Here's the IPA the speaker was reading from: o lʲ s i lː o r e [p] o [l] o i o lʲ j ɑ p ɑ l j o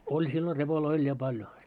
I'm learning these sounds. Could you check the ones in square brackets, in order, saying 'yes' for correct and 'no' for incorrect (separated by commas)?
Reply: yes, yes